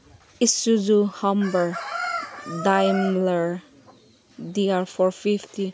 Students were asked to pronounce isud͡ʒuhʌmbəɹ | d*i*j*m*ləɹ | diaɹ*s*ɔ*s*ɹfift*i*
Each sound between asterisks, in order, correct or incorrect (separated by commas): incorrect, correct, incorrect, incorrect, correct